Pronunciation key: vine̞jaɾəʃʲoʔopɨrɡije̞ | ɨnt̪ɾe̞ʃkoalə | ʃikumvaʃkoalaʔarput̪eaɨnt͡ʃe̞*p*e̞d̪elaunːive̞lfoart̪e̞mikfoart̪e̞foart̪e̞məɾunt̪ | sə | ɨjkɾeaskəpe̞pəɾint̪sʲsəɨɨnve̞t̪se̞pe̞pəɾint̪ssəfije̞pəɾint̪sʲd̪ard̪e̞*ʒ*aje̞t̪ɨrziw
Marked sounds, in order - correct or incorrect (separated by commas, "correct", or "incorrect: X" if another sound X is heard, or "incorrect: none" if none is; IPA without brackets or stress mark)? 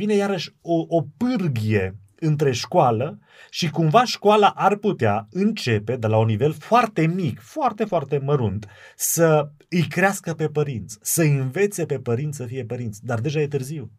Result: correct, correct